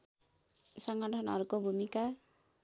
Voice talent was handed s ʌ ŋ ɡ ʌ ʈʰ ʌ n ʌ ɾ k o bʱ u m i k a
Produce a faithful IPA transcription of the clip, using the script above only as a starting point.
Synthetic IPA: s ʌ ŋ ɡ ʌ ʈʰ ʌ n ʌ ɾ k o bʱ u m i k a